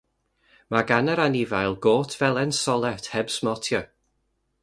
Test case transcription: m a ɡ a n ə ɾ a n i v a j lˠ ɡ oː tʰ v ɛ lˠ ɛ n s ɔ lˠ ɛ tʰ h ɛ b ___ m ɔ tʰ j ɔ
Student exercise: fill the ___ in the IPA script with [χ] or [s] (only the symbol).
s